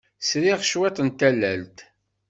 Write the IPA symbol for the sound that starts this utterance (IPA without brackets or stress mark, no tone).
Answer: s